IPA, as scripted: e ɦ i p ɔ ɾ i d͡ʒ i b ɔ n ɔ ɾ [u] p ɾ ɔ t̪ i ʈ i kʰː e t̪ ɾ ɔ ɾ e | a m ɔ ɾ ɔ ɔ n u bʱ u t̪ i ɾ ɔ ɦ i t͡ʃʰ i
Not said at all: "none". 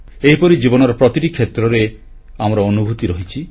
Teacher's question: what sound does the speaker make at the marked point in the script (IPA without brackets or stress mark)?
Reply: ɔ